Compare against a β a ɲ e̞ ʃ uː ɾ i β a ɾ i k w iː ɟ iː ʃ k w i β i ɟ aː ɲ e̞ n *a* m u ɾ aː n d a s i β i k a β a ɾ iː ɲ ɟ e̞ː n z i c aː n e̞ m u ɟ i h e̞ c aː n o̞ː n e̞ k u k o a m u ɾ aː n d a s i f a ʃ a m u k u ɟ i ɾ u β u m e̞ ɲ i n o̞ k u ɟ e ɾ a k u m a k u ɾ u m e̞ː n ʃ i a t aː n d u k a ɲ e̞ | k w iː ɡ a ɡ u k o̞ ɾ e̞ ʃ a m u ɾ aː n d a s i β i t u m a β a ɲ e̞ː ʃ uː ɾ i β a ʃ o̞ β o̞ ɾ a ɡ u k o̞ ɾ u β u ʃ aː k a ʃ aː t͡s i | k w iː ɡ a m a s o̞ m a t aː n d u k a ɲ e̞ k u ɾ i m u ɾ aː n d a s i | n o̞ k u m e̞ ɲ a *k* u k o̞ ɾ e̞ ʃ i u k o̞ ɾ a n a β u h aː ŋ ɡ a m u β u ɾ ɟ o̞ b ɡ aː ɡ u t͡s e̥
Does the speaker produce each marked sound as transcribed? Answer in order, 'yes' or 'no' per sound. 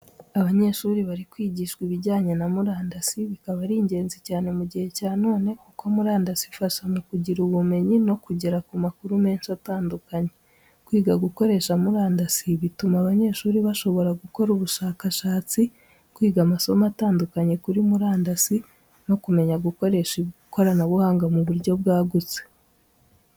yes, no

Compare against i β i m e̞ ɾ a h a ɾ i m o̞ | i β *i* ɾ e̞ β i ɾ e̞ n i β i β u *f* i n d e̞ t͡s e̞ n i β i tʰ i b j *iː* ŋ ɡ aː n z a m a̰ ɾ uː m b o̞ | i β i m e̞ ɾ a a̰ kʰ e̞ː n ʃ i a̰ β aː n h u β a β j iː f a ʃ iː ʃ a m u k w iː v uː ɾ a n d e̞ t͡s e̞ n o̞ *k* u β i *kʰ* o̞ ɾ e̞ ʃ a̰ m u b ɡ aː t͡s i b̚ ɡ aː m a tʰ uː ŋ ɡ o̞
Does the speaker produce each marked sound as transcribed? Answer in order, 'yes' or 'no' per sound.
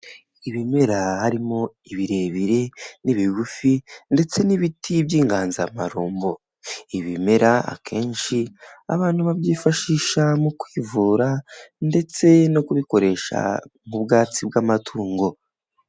yes, yes, yes, yes, no

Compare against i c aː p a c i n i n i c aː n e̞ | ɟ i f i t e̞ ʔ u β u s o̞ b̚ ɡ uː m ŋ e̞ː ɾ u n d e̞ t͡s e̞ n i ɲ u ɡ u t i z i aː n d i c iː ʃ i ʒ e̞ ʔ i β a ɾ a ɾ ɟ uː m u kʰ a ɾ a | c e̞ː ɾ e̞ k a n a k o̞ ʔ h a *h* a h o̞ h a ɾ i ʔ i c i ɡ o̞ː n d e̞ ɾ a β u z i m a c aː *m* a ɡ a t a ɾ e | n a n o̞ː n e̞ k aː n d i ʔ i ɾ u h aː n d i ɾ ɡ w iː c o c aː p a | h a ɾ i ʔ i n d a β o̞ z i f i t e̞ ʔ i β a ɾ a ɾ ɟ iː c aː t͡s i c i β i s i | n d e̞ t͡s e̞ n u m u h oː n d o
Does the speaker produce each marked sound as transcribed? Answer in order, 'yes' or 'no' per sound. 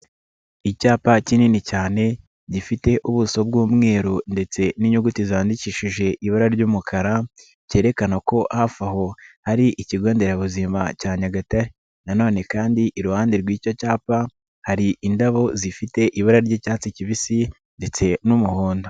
no, no

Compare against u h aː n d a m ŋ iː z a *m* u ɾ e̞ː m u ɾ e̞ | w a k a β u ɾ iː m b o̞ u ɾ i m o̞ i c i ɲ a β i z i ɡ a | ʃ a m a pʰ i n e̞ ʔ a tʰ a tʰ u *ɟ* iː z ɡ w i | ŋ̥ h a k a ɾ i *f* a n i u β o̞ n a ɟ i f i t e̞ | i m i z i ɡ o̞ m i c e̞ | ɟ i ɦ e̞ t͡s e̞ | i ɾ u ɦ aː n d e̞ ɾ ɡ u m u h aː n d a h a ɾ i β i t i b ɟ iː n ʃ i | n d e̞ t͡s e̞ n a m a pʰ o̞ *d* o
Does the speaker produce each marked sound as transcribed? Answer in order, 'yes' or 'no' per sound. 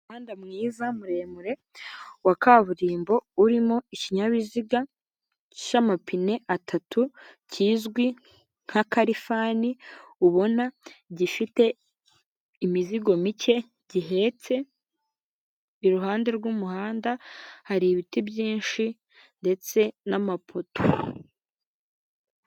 yes, no, yes, no

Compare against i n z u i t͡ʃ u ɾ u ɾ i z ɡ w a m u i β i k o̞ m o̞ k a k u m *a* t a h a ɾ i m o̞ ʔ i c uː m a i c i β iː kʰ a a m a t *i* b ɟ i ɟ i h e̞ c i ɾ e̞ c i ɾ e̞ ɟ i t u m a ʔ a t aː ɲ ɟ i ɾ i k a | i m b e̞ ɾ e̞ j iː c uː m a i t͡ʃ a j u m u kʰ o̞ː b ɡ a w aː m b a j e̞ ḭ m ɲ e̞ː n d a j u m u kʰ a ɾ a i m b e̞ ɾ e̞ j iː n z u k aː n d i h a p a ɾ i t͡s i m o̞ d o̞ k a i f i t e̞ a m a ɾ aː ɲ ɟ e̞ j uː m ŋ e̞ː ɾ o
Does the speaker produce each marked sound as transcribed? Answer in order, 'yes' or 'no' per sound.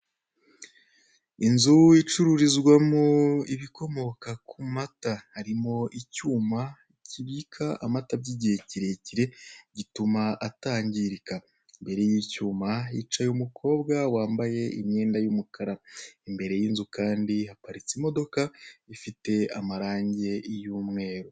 yes, no

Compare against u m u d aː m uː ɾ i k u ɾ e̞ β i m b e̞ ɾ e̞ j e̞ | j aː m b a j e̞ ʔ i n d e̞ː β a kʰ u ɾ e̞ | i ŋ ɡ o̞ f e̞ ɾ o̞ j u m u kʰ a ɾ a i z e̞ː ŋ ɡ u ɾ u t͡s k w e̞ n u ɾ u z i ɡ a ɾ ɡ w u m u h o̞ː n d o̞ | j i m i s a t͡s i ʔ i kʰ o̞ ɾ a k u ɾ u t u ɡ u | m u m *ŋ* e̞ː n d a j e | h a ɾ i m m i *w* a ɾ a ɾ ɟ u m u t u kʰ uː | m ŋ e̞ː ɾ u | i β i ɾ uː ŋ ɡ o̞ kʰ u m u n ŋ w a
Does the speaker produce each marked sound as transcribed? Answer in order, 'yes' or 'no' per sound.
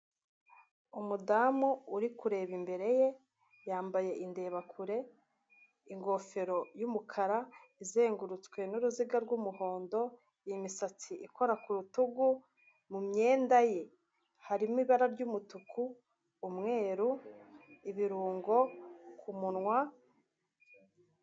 no, no

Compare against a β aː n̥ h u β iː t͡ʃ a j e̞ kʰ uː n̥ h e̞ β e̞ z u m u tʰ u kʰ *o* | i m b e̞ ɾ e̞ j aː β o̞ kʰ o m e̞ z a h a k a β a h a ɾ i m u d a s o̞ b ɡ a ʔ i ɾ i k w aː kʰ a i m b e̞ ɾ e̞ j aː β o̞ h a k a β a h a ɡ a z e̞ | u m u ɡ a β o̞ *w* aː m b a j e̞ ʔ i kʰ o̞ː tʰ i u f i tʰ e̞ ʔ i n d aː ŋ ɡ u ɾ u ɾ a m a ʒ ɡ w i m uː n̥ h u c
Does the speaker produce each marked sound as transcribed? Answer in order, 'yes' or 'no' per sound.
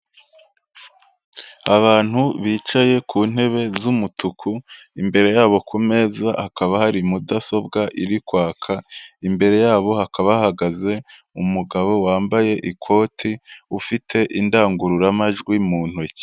no, yes

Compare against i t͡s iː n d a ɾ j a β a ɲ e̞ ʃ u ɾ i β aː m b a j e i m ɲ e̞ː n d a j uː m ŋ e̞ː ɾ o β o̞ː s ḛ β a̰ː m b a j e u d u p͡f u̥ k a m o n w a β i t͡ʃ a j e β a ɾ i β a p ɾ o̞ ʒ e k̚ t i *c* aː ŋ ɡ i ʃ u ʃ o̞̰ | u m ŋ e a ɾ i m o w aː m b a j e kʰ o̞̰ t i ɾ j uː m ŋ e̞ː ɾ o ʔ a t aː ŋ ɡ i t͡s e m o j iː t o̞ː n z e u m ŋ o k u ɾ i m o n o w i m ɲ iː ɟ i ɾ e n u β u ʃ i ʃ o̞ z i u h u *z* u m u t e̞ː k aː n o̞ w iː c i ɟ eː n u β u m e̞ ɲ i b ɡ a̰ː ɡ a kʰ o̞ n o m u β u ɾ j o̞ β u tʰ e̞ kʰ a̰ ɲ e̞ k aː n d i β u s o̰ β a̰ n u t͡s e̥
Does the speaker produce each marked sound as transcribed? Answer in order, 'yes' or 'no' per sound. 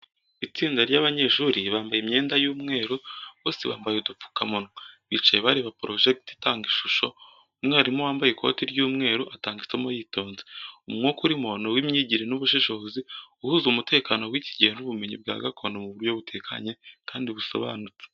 no, yes

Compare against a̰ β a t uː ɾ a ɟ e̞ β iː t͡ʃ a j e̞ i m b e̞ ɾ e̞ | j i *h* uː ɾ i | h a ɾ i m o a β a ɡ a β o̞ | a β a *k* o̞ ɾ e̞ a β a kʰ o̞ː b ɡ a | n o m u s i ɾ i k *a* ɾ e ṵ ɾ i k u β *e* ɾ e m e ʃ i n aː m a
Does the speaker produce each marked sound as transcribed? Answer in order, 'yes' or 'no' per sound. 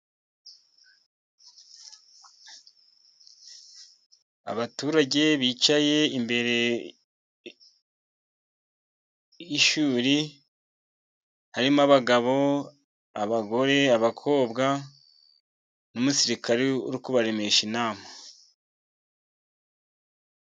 no, no, yes, no

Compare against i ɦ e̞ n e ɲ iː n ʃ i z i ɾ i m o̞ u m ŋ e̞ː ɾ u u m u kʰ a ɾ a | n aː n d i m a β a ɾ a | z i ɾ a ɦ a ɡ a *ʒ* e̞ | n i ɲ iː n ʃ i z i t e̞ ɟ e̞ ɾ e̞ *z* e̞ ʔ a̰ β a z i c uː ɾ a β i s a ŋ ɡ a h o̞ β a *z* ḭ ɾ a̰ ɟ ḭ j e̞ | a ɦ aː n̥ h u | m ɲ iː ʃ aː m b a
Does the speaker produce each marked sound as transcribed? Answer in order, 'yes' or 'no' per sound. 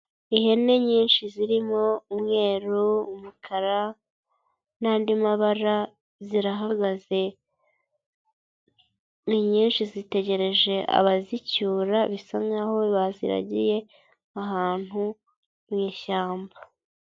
no, no, yes

